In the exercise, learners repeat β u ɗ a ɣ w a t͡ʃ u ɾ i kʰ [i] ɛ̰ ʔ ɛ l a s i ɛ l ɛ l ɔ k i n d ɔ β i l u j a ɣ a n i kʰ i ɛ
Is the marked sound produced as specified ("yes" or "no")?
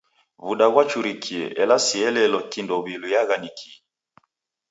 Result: yes